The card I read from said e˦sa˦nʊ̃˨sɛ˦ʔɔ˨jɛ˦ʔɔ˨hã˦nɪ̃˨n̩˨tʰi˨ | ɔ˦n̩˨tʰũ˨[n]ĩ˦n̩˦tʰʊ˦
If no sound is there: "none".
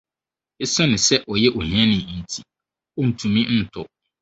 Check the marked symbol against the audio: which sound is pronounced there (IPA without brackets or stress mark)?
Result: m